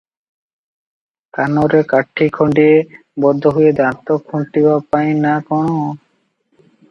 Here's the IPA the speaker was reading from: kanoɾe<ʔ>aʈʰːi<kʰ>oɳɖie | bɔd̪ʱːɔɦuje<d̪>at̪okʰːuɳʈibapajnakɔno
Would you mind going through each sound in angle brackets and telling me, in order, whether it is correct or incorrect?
incorrect: k, correct, correct

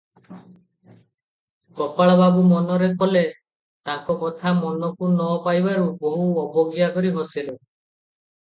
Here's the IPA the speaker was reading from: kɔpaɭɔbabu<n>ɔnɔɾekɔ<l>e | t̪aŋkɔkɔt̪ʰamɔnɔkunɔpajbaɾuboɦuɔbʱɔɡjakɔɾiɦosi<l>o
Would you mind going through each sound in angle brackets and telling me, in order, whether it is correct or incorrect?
incorrect: m, correct, correct

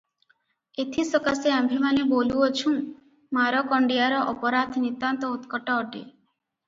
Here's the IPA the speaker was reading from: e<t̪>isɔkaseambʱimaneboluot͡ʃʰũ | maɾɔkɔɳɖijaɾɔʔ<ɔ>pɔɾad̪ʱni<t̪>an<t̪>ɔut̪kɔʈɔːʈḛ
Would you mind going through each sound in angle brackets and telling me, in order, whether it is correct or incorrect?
incorrect: t̪ʰ, correct, correct, correct

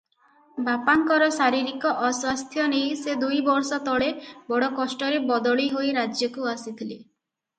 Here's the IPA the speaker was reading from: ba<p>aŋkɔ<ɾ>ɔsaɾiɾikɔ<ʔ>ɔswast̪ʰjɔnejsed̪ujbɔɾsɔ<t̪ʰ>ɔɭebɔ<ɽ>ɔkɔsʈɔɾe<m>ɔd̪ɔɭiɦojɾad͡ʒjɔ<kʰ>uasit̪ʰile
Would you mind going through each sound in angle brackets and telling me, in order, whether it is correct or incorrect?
correct, correct, correct, incorrect: t̪, correct, incorrect: b, incorrect: k

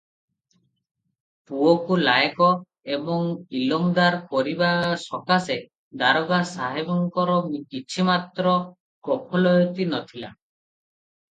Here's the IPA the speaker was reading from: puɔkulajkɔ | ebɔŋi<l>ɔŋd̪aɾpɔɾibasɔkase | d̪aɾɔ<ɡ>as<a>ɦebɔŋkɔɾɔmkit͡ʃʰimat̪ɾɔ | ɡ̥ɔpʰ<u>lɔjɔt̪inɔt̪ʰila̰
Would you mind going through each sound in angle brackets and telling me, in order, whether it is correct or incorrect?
correct, correct, correct, incorrect: ɔ

